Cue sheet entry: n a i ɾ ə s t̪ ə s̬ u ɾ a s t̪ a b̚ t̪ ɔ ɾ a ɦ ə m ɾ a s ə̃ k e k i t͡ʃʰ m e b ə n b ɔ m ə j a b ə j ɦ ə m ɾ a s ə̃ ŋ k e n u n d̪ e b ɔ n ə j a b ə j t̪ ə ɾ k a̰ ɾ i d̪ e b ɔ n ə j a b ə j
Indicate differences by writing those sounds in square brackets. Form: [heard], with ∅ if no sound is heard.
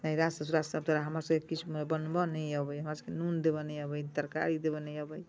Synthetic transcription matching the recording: n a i ɾ [a] s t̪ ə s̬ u ɾ a s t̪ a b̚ t̪ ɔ ɾ a ɦ ə m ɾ a s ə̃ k e k i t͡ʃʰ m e b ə n b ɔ [n] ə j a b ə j ɦ ə m ɾ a s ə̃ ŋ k e n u n d̪ e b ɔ n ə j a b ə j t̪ ə ɾ k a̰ ɾ i d̪ e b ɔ n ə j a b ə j